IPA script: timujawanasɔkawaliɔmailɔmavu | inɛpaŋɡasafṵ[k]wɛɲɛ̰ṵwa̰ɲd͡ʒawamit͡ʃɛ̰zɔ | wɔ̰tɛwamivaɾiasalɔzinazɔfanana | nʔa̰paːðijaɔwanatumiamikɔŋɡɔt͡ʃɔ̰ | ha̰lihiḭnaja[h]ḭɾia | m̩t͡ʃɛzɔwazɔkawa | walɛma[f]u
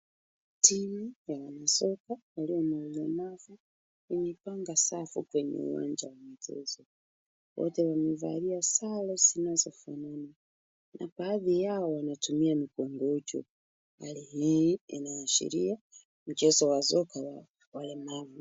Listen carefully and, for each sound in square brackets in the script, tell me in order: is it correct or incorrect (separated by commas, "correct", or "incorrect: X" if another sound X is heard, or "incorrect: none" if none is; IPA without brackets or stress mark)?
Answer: correct, incorrect: ʃ, incorrect: v